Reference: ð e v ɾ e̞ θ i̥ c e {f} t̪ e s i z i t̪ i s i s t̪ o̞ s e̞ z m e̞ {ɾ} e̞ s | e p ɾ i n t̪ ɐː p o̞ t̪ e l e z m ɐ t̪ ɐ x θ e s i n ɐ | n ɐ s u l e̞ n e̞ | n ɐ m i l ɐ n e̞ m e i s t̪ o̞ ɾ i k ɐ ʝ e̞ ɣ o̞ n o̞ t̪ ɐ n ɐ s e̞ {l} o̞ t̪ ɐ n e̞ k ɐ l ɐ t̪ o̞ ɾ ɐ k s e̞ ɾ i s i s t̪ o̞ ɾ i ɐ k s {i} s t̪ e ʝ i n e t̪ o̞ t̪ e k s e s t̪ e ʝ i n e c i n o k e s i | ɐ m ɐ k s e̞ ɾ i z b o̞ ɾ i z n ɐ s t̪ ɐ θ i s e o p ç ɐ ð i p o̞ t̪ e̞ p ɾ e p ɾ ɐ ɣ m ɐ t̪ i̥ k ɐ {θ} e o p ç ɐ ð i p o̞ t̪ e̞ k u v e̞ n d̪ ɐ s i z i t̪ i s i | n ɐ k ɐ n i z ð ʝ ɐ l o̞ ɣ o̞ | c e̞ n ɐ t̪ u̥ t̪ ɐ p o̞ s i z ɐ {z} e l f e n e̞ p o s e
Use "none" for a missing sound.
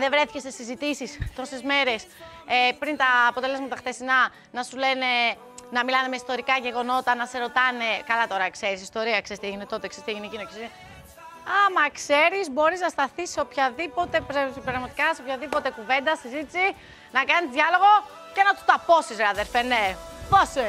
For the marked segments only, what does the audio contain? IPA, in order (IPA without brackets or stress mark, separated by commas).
s, ɾ, ɾ, e, s, ð